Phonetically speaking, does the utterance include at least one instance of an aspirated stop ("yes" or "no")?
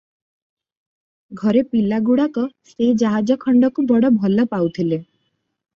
yes